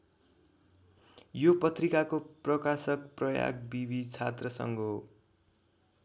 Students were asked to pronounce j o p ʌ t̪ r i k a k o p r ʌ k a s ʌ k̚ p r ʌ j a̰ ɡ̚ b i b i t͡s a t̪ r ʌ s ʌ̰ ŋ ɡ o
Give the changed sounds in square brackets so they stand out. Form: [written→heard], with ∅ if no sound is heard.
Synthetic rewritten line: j o p ʌ t̪ r i k a k o p r ʌ k a s ʌ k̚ p r ʌ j a̰ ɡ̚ b i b i [t͡s→t͡sʰ] a t̪ r ʌ s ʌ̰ ŋ ɡ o

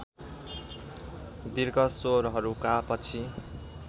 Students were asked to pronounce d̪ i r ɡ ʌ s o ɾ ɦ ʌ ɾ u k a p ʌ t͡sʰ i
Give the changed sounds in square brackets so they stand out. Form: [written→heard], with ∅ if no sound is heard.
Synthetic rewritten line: d̪ i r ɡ ʌ s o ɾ ɦ ʌ ɾ u k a p ʌ t͡sʰ i

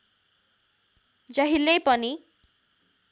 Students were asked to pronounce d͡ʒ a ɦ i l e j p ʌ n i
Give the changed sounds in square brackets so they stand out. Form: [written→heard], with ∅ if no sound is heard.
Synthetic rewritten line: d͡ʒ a ɦ i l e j p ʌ n i

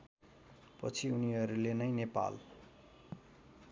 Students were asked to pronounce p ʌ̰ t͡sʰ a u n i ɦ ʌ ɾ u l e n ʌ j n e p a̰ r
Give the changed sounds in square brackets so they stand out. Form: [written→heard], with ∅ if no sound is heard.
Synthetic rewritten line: p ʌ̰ t͡sʰ [a→i] u n i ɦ ʌ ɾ u l e n ʌ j n e p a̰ [r→l]

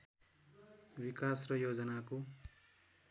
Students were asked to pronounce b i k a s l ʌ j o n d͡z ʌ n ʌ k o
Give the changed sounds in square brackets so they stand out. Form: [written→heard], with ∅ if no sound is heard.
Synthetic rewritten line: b i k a s [l→r] ʌ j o [n→∅] d͡z ʌ n [ʌ→a] k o

